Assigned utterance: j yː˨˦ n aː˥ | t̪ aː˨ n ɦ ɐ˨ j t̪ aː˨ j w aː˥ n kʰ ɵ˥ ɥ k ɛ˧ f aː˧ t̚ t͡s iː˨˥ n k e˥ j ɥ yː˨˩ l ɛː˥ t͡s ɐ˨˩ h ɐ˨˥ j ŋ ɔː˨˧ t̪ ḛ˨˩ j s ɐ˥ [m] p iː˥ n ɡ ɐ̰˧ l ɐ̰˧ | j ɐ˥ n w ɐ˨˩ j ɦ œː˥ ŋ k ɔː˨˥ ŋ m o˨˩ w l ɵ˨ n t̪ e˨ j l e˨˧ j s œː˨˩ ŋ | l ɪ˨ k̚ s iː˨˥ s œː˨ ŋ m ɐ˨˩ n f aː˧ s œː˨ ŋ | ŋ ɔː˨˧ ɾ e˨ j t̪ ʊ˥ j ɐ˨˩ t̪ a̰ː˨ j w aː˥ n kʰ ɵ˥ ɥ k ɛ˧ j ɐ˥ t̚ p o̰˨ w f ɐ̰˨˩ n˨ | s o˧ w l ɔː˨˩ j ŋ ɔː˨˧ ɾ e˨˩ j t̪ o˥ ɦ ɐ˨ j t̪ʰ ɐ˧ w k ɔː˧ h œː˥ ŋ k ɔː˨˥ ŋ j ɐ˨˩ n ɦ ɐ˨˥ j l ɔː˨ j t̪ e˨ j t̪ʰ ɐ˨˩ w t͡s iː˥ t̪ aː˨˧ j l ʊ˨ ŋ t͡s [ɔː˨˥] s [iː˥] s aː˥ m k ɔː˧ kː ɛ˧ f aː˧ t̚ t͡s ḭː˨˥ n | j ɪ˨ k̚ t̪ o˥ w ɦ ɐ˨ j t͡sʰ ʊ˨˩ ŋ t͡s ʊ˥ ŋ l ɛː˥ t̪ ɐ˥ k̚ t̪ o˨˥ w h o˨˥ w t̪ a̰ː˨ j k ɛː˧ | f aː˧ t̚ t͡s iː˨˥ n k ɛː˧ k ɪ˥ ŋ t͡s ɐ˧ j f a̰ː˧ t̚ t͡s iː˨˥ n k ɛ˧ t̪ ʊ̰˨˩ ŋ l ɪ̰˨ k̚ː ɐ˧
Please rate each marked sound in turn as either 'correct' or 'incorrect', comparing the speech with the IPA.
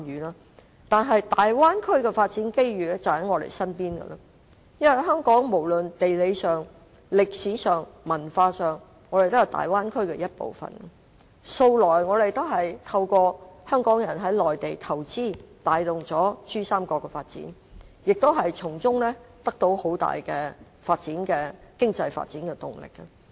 incorrect: n, correct, incorrect: yː˥

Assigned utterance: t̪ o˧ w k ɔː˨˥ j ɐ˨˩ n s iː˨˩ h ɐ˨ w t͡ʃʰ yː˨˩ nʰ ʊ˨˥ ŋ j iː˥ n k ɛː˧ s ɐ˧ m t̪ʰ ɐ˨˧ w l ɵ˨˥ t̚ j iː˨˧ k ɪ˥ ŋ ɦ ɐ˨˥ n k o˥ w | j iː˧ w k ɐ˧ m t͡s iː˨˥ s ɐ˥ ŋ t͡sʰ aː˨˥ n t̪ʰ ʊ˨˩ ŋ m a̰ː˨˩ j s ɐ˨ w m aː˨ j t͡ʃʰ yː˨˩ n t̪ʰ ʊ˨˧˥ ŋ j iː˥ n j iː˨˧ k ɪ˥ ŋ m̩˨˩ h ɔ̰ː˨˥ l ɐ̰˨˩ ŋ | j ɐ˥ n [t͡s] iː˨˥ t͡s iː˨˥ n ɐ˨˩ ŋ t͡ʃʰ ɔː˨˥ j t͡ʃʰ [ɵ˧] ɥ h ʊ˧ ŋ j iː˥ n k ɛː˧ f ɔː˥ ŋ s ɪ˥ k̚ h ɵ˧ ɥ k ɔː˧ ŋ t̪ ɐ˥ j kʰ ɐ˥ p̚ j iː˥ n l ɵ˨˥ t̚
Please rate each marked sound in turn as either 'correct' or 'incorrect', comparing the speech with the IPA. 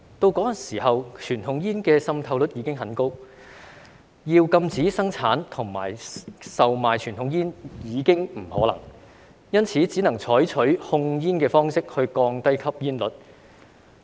incorrect: t͡sʰ, incorrect: ɵ˨˥

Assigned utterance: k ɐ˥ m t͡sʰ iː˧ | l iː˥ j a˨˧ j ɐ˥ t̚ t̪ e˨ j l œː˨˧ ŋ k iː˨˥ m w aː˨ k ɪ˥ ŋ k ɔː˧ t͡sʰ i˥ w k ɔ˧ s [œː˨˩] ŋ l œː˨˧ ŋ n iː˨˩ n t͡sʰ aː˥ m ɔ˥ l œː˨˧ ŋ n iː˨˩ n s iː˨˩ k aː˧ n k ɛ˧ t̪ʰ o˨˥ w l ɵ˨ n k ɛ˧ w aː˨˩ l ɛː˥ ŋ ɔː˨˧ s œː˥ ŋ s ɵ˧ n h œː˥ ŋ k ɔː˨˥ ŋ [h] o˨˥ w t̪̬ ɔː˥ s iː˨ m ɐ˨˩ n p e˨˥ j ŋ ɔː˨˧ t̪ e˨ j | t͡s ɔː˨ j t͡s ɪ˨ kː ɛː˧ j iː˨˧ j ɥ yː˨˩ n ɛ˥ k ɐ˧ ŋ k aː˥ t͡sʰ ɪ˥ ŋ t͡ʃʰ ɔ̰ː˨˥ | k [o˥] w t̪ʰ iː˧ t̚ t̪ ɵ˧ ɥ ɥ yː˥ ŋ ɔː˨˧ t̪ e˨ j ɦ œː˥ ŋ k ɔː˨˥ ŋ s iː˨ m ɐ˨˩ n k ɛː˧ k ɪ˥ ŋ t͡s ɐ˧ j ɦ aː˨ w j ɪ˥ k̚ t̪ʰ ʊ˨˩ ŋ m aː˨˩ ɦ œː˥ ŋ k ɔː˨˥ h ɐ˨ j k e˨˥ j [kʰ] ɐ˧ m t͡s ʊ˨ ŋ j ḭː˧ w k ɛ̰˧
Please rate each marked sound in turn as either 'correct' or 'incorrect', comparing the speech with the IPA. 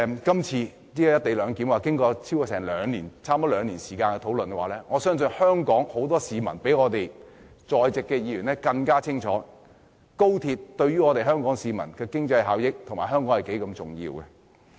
incorrect: ɛː˨˩, correct, correct, incorrect: k

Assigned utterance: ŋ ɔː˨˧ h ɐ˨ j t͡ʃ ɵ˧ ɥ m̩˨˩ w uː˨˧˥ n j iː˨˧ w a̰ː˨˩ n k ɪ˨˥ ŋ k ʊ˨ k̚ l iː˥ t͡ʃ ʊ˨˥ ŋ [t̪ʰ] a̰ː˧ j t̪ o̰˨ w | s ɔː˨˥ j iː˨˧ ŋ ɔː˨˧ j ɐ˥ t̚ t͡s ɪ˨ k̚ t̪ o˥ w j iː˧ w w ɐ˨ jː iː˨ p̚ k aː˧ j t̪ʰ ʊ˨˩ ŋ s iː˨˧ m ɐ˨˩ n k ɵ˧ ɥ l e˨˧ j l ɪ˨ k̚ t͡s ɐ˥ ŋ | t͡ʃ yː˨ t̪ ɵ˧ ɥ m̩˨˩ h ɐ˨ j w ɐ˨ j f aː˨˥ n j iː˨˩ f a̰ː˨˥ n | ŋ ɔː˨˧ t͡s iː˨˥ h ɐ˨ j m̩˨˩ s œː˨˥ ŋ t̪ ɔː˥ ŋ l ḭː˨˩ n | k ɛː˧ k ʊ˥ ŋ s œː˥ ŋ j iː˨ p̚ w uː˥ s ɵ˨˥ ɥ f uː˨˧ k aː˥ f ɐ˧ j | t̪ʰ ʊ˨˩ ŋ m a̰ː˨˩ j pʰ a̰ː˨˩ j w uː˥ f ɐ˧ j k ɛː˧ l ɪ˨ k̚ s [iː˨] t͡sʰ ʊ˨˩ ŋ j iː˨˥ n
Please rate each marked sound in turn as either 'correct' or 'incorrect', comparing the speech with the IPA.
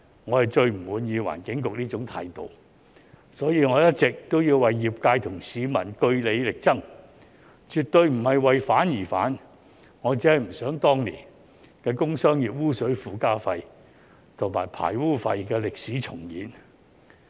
correct, incorrect: iː˨˥

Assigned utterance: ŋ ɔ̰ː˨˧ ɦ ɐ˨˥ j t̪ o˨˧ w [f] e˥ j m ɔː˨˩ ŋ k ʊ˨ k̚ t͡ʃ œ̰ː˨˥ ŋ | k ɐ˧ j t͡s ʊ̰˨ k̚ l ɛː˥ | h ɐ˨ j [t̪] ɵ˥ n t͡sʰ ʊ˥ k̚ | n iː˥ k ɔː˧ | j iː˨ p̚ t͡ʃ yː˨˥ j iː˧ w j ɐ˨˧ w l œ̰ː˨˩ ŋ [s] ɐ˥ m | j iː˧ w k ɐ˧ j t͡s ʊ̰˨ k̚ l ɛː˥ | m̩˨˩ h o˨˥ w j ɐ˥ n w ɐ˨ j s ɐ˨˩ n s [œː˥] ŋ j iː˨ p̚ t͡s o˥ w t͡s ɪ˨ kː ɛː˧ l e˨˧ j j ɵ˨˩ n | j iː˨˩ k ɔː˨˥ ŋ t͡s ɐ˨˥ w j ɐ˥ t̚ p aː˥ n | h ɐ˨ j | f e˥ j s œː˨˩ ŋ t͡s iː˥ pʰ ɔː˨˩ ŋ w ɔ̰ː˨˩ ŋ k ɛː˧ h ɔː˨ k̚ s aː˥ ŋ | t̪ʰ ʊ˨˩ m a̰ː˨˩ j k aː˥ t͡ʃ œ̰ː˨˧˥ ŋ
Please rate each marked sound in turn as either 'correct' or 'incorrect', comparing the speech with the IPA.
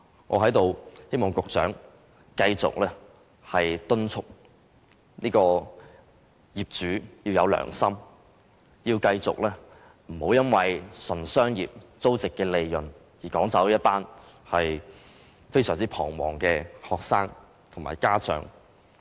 incorrect: h, correct, correct, correct

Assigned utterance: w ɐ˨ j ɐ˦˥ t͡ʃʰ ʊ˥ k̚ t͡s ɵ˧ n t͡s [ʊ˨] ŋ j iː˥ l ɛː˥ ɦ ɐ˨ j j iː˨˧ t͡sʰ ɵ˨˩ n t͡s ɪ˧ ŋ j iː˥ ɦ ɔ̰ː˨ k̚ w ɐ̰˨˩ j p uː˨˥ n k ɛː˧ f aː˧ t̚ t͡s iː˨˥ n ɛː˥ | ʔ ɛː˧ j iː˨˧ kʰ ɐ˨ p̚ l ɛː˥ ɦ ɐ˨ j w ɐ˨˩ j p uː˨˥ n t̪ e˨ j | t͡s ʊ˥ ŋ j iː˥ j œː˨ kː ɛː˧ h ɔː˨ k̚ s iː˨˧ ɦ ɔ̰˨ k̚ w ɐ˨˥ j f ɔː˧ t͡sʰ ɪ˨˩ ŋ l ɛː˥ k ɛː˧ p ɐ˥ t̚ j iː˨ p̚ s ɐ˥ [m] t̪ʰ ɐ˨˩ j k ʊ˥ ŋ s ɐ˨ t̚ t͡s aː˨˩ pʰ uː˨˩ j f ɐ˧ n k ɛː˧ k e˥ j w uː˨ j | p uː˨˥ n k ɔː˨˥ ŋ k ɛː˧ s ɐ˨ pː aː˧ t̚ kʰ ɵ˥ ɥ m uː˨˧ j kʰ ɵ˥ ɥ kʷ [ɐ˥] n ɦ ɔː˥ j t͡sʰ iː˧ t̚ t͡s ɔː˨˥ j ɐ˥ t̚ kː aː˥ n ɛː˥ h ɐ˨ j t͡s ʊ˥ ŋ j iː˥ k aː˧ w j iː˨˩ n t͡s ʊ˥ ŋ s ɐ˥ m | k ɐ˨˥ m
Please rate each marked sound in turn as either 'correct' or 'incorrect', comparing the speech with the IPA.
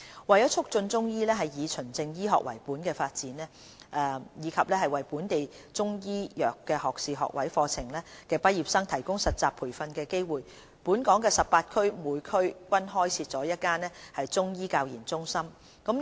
incorrect: ʊ˥, incorrect: ŋ, correct

